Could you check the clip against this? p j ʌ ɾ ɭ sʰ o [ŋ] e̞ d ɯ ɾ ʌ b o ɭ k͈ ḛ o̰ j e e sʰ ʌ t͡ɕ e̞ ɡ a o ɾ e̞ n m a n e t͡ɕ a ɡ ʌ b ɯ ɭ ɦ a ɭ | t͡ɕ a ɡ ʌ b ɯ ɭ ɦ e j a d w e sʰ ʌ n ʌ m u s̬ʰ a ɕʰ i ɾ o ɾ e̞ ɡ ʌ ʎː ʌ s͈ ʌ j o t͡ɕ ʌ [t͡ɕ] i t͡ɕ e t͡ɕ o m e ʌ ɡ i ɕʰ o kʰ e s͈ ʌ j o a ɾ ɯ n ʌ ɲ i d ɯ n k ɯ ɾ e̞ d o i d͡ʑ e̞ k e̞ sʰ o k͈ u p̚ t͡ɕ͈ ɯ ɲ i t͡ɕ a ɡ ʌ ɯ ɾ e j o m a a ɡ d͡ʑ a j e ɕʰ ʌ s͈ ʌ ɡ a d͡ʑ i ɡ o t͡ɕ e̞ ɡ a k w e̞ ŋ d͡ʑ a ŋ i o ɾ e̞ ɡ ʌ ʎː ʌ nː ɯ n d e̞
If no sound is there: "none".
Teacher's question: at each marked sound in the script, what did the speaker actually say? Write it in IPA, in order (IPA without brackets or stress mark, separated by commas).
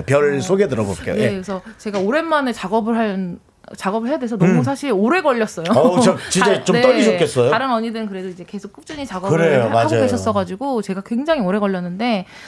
ɡ, t͡ɕ